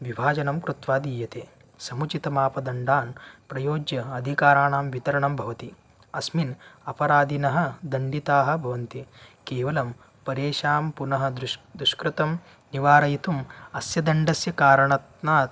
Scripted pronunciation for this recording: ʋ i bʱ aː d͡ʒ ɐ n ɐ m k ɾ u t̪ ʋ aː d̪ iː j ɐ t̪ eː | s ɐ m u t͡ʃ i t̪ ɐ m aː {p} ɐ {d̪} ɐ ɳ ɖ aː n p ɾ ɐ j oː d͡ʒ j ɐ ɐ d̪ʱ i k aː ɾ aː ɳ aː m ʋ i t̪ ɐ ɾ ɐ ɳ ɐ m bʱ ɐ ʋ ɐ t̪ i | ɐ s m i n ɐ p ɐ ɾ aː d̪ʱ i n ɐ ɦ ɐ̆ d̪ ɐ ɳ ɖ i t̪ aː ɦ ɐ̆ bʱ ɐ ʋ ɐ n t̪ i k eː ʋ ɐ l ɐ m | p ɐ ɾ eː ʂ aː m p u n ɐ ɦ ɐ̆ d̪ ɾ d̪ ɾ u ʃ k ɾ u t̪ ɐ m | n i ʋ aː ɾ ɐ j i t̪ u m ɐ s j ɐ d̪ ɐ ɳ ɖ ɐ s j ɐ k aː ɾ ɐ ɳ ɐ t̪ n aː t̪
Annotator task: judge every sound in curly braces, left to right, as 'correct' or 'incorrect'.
correct, correct

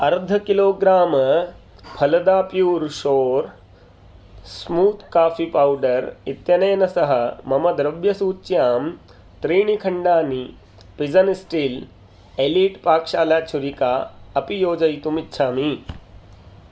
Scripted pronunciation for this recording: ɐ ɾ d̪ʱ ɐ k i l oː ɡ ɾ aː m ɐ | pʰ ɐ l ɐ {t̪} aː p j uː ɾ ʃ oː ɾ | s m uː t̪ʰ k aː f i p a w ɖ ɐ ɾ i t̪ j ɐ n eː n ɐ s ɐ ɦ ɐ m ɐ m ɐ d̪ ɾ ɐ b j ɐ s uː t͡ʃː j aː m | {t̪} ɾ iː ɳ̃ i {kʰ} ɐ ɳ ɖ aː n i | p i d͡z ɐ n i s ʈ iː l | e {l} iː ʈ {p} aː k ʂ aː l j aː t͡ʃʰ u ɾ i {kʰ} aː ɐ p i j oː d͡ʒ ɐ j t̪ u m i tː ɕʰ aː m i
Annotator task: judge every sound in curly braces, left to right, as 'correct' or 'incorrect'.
incorrect: d̪, correct, correct, correct, correct, incorrect: k

